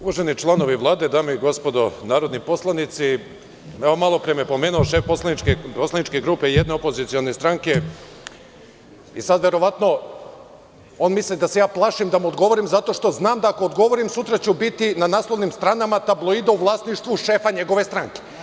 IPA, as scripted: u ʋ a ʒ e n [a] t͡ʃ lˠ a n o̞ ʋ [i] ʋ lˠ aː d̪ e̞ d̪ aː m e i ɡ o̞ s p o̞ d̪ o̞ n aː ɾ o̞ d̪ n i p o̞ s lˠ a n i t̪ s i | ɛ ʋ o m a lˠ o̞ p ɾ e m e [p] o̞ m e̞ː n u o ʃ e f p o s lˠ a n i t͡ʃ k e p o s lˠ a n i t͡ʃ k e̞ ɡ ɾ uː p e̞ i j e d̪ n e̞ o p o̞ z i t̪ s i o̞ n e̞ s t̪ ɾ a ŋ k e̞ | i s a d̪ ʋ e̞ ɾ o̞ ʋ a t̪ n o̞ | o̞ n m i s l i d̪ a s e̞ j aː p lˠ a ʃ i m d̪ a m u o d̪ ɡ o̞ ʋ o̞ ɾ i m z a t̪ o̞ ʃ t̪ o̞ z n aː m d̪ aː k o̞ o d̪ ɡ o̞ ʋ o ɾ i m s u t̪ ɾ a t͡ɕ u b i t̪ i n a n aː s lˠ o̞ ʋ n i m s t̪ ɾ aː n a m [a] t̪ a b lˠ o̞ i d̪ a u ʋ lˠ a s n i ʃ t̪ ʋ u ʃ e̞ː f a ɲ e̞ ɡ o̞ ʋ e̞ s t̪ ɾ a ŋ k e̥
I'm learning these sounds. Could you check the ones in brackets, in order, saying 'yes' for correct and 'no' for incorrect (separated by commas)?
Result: no, yes, yes, yes